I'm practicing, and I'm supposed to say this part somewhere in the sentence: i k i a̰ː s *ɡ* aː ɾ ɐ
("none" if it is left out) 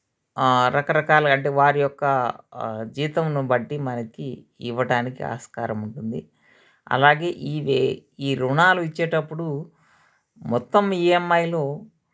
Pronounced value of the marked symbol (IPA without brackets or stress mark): k